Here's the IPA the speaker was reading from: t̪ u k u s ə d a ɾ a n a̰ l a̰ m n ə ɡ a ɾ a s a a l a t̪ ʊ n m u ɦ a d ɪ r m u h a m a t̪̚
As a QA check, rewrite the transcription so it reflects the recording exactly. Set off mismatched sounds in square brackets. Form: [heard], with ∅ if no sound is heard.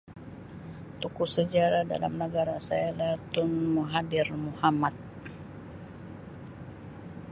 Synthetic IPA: t̪ u k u s ə [d͡ʒ] a ɾ a [d] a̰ l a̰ m n ə ɡ a ɾ a s a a l a t̪ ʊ n m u ɦ a d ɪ r m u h a m a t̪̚